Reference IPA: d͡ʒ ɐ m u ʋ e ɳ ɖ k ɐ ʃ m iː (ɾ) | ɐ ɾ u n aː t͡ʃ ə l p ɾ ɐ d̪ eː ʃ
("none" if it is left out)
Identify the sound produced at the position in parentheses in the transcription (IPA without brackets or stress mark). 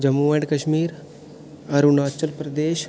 ɾ